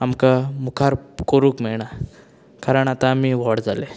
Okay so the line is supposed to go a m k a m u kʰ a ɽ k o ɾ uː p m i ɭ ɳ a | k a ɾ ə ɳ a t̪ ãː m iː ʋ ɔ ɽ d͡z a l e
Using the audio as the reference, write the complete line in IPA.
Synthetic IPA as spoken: a m k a m u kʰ a ɾ k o ɾ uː k m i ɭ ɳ a | k a ɾ ə ɳ a t̪ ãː m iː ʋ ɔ ɽ d͡z a l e